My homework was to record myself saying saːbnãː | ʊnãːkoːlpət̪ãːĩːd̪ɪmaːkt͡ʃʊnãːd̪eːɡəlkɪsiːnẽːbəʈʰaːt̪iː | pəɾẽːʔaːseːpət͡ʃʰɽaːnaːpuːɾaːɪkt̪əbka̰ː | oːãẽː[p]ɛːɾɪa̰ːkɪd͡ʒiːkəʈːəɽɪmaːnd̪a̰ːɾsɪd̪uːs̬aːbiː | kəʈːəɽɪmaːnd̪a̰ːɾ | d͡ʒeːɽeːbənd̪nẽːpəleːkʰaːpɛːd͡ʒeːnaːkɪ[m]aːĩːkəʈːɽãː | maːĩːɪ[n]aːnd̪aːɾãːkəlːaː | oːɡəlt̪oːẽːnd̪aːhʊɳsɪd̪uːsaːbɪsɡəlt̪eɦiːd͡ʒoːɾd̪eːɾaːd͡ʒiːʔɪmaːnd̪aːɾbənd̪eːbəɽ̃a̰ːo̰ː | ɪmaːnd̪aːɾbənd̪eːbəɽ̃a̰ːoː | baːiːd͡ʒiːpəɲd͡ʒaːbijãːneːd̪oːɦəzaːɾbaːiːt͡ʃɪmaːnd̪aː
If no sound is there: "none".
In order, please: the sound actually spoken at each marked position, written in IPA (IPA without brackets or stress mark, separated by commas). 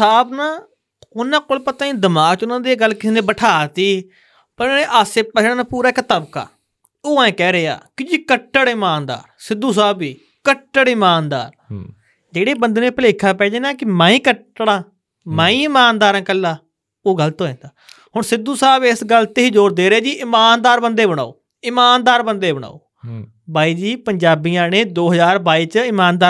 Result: k, m, m